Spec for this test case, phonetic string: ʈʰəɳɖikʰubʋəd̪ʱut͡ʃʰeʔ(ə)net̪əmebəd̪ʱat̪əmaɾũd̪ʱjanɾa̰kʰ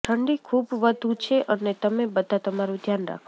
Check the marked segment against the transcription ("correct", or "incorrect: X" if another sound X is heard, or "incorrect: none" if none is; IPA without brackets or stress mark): correct